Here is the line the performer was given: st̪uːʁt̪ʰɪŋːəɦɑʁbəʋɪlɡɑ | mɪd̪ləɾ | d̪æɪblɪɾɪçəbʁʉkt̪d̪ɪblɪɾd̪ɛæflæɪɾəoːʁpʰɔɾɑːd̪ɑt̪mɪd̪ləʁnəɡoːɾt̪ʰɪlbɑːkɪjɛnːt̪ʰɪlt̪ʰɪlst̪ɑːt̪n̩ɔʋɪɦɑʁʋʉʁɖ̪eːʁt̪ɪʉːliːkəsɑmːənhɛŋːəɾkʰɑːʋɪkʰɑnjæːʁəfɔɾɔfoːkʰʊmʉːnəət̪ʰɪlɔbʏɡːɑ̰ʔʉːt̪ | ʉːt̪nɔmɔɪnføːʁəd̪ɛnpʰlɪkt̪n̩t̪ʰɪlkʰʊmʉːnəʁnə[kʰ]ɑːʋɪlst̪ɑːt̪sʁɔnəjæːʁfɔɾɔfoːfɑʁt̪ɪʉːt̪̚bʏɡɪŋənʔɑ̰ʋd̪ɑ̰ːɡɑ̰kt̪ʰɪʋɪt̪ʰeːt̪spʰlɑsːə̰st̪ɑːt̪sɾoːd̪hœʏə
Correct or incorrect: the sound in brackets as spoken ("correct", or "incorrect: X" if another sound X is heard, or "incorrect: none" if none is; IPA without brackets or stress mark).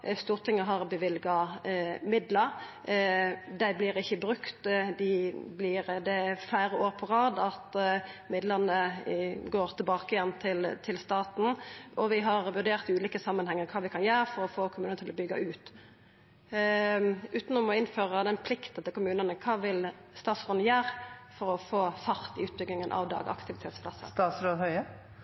correct